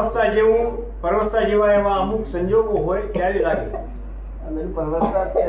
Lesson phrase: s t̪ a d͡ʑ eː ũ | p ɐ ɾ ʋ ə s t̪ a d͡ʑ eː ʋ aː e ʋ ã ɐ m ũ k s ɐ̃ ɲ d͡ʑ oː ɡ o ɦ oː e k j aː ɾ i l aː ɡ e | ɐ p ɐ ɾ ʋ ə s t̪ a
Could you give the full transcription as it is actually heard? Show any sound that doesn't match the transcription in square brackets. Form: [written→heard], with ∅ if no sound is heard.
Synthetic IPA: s t̪ a d͡ʑ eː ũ | p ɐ ɾ ʋ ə s t̪ a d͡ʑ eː ʋ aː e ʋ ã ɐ m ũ k s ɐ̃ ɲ d͡ʑ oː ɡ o ɦ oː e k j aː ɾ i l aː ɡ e | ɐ p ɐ ɾ ʋ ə s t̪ a